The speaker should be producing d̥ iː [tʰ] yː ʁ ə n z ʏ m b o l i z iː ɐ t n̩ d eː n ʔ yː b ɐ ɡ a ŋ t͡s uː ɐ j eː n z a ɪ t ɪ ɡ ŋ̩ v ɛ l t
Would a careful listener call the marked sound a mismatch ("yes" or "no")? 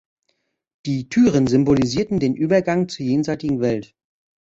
no